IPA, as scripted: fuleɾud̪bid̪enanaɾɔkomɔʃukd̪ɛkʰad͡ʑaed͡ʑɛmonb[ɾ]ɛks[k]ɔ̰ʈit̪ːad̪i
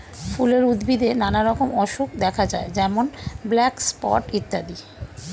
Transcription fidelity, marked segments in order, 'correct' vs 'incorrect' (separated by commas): incorrect, incorrect